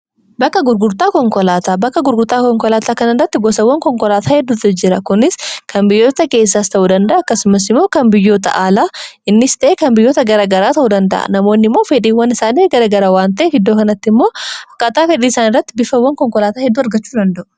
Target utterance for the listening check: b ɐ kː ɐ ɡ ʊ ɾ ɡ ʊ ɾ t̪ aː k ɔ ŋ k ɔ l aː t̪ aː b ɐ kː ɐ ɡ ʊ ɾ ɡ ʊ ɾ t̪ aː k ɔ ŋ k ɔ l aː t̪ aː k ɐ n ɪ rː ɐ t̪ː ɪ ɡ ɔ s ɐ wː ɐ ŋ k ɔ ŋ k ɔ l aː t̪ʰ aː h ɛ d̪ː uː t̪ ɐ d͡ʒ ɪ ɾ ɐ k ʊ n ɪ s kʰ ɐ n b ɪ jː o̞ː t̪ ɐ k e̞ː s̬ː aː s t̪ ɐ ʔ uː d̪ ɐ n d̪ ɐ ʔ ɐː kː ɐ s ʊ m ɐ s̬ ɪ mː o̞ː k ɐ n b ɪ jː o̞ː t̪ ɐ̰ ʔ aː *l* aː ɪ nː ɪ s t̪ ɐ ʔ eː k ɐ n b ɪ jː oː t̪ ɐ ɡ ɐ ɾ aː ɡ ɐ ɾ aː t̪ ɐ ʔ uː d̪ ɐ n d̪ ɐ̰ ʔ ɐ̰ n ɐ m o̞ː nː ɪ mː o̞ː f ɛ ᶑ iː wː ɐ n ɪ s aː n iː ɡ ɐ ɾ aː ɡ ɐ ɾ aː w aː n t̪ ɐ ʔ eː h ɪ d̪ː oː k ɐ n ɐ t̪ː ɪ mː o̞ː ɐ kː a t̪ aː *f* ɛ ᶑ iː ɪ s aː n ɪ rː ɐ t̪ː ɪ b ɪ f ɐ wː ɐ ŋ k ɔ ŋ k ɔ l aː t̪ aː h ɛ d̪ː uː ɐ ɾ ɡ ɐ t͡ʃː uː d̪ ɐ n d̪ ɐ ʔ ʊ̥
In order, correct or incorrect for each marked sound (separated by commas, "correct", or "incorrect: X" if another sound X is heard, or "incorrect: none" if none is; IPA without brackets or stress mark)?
correct, correct